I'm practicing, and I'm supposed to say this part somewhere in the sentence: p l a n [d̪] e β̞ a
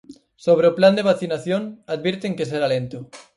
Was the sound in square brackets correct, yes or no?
yes